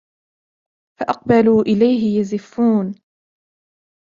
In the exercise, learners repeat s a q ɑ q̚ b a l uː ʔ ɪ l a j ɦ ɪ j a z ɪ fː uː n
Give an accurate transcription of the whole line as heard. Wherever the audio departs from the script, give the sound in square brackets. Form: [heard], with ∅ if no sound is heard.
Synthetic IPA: [f] a [ʔ] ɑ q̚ b a l uː ʔ ɪ l a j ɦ ɪ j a z ɪ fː uː n